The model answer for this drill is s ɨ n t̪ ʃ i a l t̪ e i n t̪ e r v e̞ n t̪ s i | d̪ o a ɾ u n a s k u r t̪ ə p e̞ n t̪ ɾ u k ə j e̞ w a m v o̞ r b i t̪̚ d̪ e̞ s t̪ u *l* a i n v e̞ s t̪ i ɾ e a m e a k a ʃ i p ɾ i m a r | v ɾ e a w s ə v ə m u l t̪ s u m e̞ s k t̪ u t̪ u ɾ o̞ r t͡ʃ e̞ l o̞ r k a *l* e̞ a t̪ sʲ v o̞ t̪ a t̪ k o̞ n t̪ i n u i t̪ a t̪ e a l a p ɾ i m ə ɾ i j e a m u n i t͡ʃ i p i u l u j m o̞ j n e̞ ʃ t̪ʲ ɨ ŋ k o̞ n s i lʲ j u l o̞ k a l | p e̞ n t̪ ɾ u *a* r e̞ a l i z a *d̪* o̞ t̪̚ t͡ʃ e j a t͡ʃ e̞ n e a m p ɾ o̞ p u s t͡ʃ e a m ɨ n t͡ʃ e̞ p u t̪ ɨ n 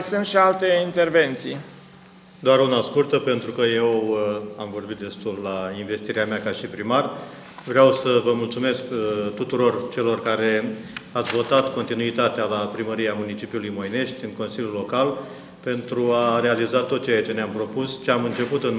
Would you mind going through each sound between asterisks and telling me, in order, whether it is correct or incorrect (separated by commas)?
incorrect, incorrect, correct, incorrect